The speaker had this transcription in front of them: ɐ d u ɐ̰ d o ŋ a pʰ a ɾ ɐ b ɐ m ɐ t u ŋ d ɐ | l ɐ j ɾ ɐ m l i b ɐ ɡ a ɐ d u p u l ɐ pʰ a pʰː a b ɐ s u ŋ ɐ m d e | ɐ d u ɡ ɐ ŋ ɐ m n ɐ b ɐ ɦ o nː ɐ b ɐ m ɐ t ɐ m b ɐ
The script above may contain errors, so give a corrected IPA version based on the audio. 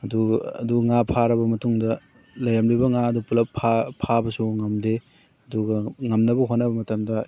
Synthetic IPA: ɐ d u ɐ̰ d u ŋ a pʰ a ɾ ɐ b ɐ m ɐ t u ŋ d ɐ | l ɐ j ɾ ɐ m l i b ɐ ŋ a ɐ d u p u l ɐ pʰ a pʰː a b ɐ s u ŋ ɐ m d e | ɐ d u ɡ ɐ ŋ ɐ m n ɐ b ɐ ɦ o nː ɐ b ɐ m ɐ t ɐ m d ɐ